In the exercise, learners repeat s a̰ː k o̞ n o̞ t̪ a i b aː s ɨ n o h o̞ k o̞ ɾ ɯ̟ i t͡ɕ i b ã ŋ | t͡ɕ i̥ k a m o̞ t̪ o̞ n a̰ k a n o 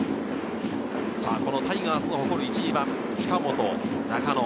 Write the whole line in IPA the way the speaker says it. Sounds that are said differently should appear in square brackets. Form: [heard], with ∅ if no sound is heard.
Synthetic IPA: s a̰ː k o̞ n o̞ t̪ a i [ɡ] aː s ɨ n o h o̞ k o̞ ɾ ɯ̟ i t͡ɕ i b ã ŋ | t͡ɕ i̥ k a m o̞ t̪ o̞ n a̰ k a n o